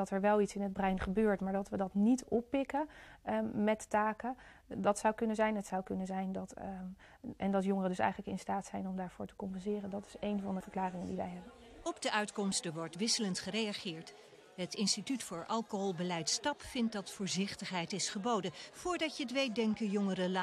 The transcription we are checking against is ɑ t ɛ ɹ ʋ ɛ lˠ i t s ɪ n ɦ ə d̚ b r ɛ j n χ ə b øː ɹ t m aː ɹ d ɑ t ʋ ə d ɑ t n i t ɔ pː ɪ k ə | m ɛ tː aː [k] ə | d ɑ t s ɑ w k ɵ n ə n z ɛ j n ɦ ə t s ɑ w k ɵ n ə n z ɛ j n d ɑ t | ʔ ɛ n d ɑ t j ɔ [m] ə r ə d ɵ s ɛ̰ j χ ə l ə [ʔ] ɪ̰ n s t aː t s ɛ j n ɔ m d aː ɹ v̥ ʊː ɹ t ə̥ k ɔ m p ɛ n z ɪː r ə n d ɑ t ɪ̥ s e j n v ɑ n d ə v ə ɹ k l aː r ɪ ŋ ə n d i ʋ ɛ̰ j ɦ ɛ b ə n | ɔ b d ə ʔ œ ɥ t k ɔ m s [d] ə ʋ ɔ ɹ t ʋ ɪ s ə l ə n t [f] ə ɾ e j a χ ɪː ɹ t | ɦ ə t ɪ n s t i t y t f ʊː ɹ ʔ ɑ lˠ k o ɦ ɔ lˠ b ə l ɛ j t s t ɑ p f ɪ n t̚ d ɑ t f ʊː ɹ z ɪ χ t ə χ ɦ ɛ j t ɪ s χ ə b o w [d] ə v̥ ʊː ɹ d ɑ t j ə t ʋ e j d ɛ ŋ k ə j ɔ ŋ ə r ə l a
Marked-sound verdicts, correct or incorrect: correct, incorrect: ŋ, incorrect: k, incorrect: t, incorrect: χ, correct

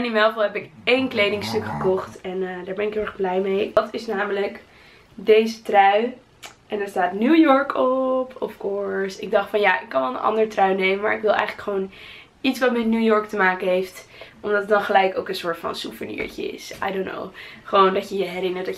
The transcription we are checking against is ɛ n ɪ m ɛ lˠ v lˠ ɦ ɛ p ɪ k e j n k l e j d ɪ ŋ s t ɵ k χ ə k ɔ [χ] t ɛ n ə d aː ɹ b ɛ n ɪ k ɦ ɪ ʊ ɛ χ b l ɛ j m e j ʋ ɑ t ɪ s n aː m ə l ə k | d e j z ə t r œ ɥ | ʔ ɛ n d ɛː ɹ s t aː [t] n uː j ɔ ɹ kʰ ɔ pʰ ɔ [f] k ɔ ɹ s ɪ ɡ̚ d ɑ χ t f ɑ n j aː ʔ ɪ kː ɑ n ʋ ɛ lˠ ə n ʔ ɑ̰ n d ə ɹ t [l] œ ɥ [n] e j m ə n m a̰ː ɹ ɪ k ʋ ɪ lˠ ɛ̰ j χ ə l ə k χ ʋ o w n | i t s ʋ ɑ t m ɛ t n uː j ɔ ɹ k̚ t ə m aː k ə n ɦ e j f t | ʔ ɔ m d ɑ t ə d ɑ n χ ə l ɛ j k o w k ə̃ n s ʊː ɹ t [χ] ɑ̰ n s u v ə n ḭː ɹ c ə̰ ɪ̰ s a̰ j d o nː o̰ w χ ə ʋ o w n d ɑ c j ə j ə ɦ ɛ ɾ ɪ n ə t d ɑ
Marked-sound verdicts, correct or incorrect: correct, correct, correct, incorrect: r, correct, incorrect: f

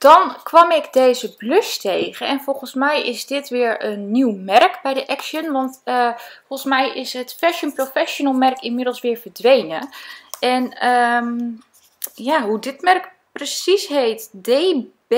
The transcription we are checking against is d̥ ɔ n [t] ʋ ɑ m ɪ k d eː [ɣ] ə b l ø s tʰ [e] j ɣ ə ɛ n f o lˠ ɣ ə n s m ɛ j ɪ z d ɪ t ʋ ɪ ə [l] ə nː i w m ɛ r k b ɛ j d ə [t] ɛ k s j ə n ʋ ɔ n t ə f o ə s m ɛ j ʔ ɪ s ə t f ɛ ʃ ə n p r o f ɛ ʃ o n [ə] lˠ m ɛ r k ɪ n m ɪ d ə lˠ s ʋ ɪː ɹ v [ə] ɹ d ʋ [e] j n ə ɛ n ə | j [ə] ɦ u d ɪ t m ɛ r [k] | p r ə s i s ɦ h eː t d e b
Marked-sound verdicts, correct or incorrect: incorrect: k, incorrect: z, correct, incorrect: ɹ, incorrect: ʔ, correct, correct, correct, incorrect: a, correct

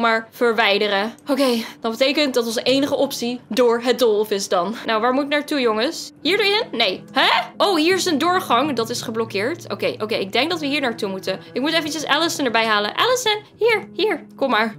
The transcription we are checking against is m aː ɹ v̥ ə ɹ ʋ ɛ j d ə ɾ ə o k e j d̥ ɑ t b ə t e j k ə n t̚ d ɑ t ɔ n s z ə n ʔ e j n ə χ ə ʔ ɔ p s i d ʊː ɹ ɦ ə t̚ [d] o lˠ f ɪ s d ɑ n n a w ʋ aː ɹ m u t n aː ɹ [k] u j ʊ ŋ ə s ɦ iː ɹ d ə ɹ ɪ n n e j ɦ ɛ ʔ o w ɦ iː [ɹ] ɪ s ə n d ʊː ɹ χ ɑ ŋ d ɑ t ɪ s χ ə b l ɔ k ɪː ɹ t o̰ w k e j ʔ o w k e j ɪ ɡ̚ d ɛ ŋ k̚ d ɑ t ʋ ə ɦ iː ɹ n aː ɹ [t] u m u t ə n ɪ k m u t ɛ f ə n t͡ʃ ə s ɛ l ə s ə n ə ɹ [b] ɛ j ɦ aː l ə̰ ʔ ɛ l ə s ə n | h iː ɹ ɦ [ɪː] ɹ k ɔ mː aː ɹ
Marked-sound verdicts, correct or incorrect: correct, incorrect: t, correct, correct, correct, incorrect: iː

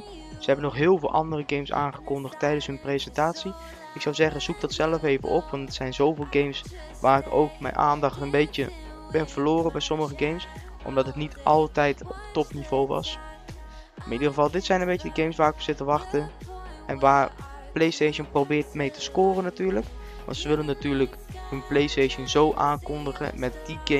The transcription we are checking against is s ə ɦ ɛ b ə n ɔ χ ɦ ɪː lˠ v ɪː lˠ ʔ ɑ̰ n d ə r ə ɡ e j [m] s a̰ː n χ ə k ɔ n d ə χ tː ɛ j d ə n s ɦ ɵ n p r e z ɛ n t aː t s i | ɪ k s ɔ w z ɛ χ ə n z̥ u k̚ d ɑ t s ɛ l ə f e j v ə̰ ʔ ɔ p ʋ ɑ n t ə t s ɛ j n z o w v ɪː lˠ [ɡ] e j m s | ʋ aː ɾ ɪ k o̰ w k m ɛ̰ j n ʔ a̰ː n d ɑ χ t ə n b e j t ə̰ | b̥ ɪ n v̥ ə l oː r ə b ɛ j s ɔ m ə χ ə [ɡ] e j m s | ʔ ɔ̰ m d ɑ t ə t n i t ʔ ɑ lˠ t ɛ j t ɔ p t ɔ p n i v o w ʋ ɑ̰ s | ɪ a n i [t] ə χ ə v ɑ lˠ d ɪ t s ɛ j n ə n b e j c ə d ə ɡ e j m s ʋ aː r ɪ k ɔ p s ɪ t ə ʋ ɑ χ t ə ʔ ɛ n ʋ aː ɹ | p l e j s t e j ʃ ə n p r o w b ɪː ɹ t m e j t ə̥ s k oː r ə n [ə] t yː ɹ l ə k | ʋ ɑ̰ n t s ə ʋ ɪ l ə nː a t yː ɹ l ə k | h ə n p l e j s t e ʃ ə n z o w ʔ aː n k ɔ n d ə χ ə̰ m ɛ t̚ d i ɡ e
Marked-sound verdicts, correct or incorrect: correct, correct, correct, incorrect: d, incorrect: a

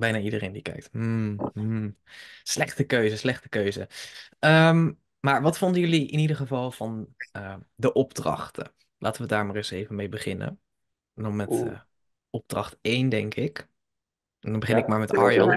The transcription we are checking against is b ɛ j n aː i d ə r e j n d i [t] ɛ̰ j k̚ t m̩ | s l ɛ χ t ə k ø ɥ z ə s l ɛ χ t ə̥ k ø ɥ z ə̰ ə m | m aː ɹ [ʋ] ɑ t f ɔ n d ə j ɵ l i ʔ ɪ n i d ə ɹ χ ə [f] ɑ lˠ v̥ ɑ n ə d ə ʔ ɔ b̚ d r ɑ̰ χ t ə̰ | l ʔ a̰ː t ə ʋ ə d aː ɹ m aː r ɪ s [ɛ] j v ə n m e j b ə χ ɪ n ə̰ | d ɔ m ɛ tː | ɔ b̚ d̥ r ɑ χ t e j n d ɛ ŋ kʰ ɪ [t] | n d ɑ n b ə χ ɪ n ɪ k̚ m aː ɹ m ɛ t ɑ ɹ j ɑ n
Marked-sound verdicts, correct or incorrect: incorrect: k, correct, incorrect: v, incorrect: e, incorrect: k

